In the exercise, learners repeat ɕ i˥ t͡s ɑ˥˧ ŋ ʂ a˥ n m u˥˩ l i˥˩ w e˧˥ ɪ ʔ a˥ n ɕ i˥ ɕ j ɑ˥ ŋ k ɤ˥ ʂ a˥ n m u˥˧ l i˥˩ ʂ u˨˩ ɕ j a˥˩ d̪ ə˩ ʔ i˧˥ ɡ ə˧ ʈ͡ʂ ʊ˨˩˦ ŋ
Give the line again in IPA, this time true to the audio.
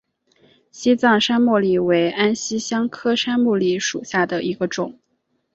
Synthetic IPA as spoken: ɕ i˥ t͡s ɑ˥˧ ŋ ʂ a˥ n m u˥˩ l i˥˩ w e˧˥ ɪ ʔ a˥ n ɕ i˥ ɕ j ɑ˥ ŋ kʰ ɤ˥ ʂ a˥ n m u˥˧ l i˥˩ ʂ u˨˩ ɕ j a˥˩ d̪ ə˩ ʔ i˧˥ ɡ ə˧ ʈ͡ʂ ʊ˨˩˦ ŋ